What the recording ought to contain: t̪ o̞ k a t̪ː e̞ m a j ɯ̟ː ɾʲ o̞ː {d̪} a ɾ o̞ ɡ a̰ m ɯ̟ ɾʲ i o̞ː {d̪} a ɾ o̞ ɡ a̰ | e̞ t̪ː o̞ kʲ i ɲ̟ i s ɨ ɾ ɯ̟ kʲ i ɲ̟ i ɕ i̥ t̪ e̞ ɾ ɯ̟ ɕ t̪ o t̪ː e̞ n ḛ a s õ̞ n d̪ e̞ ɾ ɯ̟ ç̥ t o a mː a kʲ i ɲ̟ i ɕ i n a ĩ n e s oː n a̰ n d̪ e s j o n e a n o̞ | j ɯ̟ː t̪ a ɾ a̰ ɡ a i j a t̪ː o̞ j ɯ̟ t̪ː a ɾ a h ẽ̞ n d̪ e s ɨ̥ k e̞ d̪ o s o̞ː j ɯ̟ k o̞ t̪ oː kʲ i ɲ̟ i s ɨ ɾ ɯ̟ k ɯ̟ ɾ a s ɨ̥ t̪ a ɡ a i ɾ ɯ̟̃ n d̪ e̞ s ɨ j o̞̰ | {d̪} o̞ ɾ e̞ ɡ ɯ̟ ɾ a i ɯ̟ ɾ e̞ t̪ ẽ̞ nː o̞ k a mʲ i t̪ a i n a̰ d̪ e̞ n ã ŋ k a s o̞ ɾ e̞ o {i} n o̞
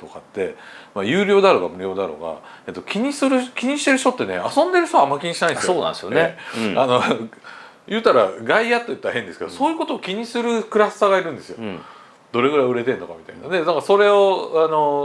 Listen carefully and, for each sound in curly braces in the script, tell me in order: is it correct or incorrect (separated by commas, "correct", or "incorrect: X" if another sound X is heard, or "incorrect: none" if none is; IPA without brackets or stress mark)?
correct, correct, correct, incorrect: a